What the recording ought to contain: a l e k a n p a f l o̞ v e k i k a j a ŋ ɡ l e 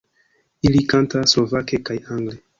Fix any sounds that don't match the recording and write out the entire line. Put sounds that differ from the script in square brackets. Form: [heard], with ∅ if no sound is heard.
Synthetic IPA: [i] l [i] k a n [t] a [s] l o̞ v [a] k [e] k a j a ŋ ɡ l e